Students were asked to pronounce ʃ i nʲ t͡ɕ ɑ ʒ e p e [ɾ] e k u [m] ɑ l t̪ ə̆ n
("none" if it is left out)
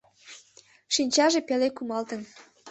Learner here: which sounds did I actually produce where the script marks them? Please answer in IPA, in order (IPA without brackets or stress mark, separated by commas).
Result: l, m